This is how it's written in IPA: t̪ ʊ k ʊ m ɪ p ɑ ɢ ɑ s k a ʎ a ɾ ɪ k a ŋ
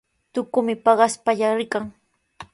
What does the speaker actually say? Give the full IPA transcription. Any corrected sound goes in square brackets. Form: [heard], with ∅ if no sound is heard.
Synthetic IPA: t̪ ʊ k ʊ m ɪ p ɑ ɢ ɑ s [p] a ʎ a ɾ ɪ k a ŋ